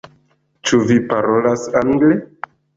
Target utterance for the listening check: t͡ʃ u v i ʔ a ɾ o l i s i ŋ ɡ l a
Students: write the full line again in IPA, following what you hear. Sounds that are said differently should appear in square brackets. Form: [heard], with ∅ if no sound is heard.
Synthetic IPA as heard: t͡ʃ u v i [p] a ɾ o l [a] s [a] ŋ ɡ l [e]